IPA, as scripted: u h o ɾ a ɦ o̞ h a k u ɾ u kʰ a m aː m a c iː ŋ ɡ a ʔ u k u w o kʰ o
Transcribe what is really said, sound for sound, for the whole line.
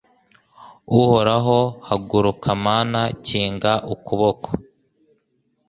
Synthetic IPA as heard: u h o ɾ a ɦ o̞ h a ɡ u ɾ u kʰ a m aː n a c iː ŋ ɡ a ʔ u k u β o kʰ o